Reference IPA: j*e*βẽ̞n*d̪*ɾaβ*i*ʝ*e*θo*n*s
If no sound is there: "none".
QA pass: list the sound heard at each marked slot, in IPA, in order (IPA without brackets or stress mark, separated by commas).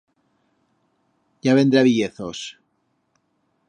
a, d̪, i, e, none